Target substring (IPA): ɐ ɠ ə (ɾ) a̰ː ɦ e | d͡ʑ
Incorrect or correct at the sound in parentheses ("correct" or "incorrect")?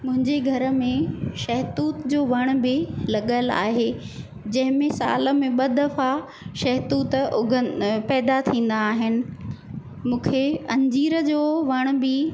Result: incorrect